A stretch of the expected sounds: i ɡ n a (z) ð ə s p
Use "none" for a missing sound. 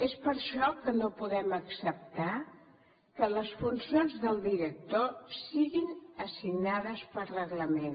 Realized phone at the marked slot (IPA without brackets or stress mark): none